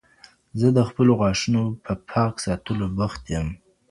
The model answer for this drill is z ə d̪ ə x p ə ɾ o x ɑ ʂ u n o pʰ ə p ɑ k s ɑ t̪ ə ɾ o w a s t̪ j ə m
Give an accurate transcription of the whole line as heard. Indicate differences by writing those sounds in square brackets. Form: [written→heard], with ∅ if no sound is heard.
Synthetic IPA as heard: z ə d̪ ə x p ə [ɾ→l] o [x→ɣ] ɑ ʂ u n o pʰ ə [p→pʰ] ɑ k s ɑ t̪ ə [ɾ→l] o [w→b] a [s→x] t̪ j ə m